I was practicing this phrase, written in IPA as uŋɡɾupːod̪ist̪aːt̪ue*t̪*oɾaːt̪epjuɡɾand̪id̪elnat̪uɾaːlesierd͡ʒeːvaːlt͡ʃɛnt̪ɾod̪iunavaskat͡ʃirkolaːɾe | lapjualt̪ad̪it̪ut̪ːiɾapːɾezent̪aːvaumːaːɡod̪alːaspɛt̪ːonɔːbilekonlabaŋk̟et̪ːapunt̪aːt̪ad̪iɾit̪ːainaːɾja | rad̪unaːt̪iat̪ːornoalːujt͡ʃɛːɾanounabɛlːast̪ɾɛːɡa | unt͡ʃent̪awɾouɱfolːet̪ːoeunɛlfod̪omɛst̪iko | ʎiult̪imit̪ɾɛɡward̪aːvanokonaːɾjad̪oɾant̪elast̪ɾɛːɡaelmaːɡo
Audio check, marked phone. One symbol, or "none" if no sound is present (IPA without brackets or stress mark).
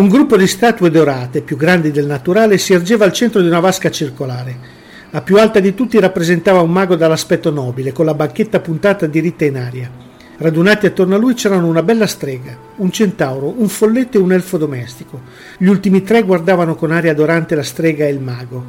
d̪